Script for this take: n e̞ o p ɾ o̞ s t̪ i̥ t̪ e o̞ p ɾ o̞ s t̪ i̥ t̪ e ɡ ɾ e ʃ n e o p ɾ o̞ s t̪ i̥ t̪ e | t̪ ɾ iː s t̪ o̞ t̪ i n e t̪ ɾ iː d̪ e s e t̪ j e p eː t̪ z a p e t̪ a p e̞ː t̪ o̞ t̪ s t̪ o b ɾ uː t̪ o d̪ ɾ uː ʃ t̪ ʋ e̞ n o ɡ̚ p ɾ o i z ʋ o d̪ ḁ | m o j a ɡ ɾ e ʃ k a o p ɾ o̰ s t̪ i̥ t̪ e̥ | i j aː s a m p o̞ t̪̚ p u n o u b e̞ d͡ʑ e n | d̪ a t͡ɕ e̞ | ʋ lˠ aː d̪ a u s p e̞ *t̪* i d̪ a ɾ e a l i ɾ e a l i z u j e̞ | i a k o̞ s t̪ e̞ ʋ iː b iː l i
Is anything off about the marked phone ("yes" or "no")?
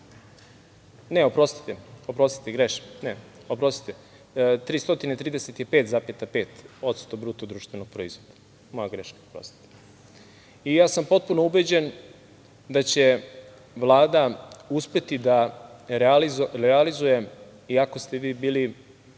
no